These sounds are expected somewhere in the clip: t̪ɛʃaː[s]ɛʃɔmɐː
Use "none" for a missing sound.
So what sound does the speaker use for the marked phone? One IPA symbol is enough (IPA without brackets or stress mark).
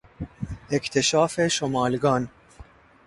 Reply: f